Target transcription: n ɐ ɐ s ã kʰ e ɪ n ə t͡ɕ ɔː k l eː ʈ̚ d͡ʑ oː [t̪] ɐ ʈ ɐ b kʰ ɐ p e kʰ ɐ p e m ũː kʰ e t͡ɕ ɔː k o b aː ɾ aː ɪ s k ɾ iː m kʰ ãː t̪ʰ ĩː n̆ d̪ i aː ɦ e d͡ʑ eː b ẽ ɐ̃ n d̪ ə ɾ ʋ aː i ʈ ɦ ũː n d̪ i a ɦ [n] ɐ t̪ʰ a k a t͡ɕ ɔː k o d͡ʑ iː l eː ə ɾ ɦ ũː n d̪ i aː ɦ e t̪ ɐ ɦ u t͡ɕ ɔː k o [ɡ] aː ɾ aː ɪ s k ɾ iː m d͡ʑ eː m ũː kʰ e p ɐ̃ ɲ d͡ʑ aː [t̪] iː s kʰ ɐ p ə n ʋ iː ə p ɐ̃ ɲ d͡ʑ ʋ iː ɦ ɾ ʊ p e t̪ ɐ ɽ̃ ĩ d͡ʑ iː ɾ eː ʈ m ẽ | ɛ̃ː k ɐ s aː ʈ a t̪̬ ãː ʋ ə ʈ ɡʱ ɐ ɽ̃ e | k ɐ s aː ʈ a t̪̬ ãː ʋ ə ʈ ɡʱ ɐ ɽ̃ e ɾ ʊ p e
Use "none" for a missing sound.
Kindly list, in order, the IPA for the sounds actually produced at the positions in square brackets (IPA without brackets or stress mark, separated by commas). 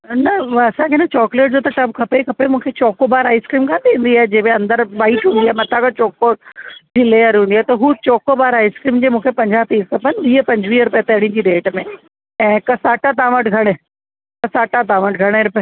t̪, m, b, t̪